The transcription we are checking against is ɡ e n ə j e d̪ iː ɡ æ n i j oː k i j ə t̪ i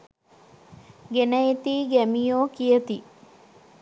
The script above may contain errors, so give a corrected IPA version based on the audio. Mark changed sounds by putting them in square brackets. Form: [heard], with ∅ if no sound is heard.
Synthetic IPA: ɡ e n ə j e [t̪] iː ɡ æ [m] i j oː k i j ə t̪ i

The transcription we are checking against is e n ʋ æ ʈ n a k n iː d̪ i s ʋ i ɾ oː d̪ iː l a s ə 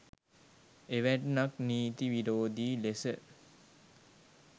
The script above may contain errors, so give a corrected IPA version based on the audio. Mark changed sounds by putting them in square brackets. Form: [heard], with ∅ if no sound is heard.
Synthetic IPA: e [∅] ʋ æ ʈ n a k n iː [t̪] i [∅] ʋ i ɾ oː d̪ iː l [e] s ə

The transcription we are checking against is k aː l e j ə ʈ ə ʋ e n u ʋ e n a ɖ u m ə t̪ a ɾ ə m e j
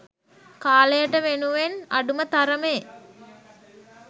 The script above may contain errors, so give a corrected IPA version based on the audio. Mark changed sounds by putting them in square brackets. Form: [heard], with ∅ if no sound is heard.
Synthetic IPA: k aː l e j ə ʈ ə ʋ e n u ʋ e n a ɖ u m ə t̪ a ɾ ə m e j

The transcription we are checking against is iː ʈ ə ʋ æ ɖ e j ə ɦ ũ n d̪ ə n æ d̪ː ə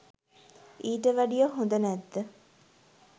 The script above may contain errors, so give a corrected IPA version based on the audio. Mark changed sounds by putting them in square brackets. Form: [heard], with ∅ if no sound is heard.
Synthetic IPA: iː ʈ ə ʋ æ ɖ [i] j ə ɦ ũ n d̪ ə n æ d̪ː ə

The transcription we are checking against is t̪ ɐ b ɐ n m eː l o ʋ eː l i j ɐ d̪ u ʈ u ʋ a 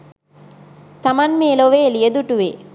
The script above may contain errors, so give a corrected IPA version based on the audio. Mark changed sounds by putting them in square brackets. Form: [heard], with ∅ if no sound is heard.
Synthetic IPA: t̪ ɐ [m] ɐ n m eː l o ʋ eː l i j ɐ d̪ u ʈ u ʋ [e]

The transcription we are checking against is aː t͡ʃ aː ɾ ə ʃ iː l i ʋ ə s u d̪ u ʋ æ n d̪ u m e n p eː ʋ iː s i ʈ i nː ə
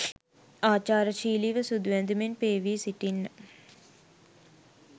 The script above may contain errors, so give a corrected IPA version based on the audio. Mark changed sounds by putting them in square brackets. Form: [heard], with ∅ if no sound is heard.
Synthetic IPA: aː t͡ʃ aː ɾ ə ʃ iː l i ʋ ə s u d̪ u ʋ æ n d̪ u m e n p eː ʋ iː s i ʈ i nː ə

